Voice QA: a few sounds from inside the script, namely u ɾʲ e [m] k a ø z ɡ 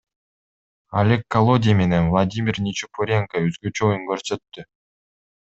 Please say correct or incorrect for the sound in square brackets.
incorrect